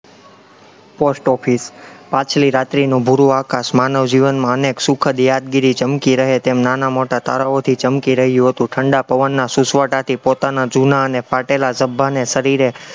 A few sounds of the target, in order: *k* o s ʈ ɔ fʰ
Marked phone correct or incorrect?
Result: incorrect